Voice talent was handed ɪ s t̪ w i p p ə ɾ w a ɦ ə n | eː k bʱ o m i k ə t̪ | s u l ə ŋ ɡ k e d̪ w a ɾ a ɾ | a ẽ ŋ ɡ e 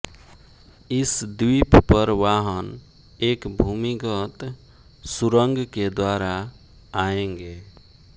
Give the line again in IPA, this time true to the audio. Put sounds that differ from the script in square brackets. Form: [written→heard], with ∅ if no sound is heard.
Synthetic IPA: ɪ s [t̪→d̪] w i p p ə ɾ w a ɦ ə n | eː k bʱ [o→u] m i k ə t̪ | s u [l→ɾ] ə ŋ ɡ k e d̪ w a ɾ a [ɾ→∅] | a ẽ ŋ ɡ e